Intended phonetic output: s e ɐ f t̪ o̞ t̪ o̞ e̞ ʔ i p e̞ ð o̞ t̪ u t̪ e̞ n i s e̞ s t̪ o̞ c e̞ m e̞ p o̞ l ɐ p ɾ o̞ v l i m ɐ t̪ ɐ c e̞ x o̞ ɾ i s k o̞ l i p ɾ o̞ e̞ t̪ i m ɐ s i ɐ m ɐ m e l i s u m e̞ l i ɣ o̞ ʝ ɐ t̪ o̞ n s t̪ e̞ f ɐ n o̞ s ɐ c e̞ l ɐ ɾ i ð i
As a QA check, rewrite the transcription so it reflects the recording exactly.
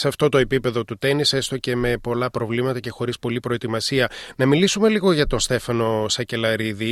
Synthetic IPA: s e ɐ f t̪ o̞ t̪ o̞ e̞ p i p e̞ ð o̞ t̪ u t̪ e̞ n i s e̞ s t̪ o̞ c e̞ m e̞ p o̞ l ɐ p ɾ o̞ v l i m ɐ t̪ ɐ c e̞ x o̞ ɾ i s p o̞ l i p ɾ o̞ e̞ t̪ i m ɐ s i ɐ n ɐ m i l i s u m e̞ l i ɣ o̞ ʝ ɐ t̪ o̞ n s t̪ e̞ f ɐ n o̞ s ɐ c e̞ l ɐ ɾ i ð i